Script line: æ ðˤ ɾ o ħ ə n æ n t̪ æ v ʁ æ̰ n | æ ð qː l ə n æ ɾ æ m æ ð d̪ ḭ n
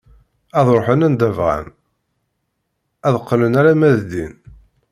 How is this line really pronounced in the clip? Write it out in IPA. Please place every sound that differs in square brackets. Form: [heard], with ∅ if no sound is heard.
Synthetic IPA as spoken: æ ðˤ ɾ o ħ ə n æ n [d̪] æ v ʁ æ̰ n | æ ð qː l ə n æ ɾ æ m æ ð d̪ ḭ n

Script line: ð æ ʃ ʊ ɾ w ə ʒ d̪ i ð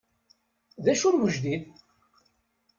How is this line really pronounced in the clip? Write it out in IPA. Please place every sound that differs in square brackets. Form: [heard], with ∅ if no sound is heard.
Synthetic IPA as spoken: ð æ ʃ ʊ ɾ w ə ʒ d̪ i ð

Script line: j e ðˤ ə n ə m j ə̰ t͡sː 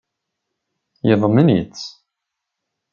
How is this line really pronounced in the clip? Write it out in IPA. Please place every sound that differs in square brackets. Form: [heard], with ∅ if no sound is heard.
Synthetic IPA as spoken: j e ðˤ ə [m] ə [n] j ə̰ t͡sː

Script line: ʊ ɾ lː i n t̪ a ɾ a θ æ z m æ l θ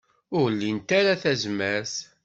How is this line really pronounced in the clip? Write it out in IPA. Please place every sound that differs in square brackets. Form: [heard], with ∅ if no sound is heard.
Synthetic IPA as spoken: ʊ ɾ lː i n t̪ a ɾ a θ æ z m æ [ɾ] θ

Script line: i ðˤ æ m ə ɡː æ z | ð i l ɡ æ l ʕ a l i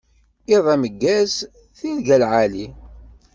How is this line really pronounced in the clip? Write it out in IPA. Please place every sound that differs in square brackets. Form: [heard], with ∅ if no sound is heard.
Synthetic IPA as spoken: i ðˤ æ m ə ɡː æ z | [θ] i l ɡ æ l ʕ a l i

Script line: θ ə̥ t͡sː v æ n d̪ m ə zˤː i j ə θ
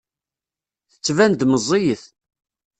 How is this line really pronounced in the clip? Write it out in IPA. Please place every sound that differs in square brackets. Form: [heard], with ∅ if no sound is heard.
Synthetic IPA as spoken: θ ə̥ t͡sː v æ n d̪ m ə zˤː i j ə θ

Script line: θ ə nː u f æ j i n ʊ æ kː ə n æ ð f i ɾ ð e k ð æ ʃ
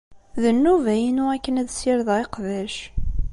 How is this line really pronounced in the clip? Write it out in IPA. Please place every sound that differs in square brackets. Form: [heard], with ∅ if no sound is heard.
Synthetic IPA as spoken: [ð] ə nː u [v] æ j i n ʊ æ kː ə n æ ð [s] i ɾ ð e [q] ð æ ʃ

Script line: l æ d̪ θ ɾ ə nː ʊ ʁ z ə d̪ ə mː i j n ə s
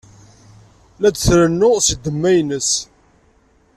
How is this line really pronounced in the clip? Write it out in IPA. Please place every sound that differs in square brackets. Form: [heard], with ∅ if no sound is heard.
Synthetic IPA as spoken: l æ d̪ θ ɾ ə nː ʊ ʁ [s] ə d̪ ə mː [æ] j n ə s

